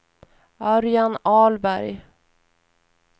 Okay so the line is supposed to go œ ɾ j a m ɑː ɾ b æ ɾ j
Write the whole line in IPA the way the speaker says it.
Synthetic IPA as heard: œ ɾ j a n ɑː l b æ ɾ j